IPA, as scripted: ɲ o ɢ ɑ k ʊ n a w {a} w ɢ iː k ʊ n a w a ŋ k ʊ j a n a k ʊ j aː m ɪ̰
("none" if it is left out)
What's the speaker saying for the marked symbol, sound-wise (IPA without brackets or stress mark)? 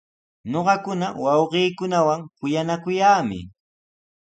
ɑ